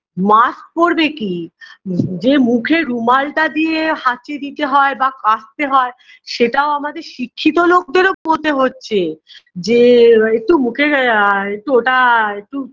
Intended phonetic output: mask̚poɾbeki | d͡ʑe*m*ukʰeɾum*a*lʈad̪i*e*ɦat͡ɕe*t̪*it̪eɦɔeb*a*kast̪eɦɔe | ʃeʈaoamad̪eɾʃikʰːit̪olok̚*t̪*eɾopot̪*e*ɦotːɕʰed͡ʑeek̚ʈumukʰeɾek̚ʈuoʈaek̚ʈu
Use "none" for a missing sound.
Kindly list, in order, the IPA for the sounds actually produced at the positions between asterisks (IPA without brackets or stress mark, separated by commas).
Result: m, a, e, d̪, a, d̪, e